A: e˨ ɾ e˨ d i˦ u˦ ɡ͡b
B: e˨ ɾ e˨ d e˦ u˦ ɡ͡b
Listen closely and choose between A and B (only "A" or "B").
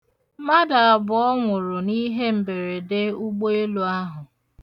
B